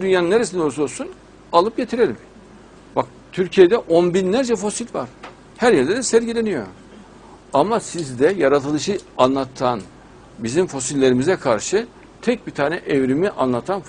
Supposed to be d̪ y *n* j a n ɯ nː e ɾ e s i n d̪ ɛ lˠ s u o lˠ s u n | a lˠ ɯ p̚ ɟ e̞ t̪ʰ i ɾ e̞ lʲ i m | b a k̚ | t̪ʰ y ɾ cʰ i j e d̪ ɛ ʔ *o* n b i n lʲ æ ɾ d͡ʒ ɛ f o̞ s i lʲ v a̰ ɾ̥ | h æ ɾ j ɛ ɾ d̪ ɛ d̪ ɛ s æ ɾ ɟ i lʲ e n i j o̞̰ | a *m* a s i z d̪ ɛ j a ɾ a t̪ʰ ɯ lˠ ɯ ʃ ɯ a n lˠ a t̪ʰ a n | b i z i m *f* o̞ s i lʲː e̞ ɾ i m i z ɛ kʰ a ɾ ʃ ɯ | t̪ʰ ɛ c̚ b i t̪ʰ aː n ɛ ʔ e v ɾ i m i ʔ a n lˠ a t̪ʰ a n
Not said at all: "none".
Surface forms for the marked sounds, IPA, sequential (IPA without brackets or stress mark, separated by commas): n, o, m, f